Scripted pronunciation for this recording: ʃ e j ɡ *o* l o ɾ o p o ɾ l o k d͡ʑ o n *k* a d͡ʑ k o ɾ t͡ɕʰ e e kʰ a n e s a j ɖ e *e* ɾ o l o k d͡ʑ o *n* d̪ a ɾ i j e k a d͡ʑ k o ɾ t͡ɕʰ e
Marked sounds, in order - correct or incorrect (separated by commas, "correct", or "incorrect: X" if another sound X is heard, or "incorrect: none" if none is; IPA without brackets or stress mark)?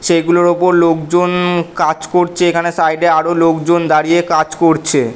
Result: incorrect: u, correct, incorrect: a, correct